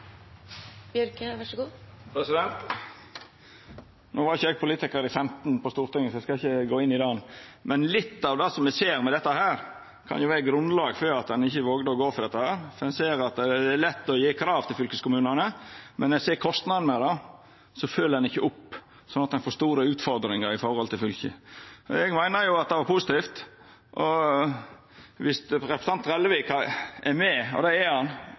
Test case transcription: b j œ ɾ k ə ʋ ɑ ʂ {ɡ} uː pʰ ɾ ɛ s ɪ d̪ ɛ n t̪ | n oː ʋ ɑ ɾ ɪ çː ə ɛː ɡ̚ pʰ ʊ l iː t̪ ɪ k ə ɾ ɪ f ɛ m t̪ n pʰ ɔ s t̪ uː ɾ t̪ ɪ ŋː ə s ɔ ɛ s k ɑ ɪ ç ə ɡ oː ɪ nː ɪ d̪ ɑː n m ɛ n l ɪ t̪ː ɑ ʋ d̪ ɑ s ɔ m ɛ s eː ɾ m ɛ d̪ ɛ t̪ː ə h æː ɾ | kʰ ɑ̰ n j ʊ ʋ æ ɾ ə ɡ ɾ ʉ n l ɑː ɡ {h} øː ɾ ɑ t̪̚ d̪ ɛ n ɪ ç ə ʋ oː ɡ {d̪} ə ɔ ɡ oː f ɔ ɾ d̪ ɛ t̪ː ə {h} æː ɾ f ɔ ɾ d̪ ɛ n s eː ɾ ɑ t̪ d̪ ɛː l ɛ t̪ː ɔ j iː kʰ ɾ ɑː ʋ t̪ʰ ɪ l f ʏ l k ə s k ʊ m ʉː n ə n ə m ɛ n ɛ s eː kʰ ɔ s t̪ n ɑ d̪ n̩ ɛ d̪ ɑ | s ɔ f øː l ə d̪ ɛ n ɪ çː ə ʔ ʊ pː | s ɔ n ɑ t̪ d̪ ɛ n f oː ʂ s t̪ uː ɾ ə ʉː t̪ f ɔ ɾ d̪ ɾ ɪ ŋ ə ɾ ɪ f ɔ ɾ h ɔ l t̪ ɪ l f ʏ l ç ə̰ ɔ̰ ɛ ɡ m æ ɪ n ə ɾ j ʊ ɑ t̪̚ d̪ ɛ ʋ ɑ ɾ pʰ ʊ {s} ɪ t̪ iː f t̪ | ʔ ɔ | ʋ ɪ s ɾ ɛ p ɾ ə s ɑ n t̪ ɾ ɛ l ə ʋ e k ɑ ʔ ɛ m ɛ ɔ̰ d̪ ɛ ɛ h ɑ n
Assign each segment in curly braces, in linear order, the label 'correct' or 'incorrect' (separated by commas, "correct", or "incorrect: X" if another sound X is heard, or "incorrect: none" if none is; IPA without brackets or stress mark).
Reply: correct, incorrect: f, correct, correct, correct